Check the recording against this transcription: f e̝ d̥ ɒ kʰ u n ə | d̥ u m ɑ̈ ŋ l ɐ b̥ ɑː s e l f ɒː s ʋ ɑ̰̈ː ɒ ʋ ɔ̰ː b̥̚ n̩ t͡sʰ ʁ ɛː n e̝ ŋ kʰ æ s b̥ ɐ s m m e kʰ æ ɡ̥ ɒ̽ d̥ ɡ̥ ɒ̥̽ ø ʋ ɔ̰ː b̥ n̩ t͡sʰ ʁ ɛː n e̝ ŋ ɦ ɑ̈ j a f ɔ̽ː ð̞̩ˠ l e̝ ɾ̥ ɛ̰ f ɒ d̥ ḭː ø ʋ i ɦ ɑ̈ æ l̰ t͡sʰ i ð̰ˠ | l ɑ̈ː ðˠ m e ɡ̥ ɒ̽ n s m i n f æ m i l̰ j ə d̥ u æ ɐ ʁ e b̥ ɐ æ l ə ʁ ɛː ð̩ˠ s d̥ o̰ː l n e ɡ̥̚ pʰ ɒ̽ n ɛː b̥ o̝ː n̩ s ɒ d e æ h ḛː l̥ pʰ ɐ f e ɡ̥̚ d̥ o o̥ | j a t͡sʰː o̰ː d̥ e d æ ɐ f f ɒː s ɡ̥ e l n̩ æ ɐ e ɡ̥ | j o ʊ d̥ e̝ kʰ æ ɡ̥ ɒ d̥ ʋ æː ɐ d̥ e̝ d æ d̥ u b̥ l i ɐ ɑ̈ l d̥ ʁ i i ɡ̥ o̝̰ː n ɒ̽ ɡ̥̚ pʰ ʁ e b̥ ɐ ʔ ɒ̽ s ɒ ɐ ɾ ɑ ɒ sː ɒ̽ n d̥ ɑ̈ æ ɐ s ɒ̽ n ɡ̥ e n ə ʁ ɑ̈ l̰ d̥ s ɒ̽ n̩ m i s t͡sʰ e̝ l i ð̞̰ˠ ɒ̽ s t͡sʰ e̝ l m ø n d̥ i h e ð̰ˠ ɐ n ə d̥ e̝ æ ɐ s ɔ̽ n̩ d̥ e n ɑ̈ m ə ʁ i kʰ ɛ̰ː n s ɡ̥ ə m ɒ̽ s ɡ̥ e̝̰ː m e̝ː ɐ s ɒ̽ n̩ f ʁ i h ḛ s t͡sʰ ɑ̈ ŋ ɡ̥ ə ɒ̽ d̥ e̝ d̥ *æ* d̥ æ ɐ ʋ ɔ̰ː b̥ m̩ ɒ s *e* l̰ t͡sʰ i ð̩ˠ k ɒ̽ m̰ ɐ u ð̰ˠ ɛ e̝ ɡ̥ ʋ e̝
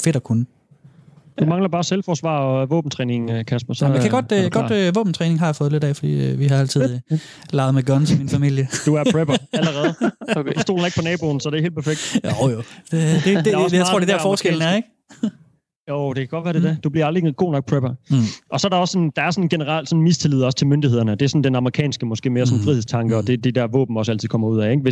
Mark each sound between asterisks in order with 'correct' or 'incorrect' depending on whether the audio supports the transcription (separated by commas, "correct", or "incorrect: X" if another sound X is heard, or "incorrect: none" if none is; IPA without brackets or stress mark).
incorrect: e, incorrect: æ